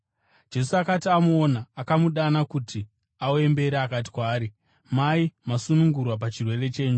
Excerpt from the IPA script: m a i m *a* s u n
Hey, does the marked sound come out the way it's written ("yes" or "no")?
yes